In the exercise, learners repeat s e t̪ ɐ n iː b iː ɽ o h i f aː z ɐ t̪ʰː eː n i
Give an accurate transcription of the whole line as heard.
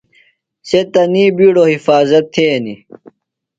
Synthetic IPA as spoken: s e t̪ ɐ n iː b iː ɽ o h i f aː z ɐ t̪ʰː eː n i